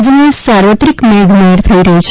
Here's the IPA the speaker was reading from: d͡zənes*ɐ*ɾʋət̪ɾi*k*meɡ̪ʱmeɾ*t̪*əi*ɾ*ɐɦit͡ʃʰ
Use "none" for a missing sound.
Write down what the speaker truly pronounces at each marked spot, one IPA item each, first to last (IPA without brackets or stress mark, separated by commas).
a, k, t̪ʰ, ɾ